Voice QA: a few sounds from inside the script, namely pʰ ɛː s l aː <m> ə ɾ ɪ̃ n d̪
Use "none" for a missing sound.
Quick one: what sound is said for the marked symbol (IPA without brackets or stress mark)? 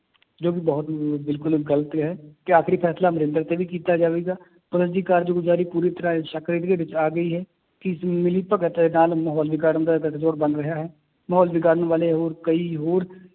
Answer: m